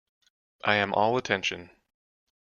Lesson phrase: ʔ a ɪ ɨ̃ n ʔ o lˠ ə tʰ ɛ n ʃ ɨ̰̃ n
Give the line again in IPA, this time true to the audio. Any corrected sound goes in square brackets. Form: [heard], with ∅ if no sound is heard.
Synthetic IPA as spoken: ʔ a ɪ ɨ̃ [m] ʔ [ɔ] lˠ ə tʰ [ɛ̃] n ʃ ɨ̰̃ n